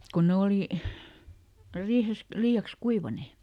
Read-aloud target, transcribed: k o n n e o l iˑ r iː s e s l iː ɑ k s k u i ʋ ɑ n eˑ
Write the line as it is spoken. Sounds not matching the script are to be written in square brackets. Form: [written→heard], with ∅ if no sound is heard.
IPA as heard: k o n n e o l iˑ r iː [s→h] e s l iː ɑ k s k u i ʋ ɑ n eˑ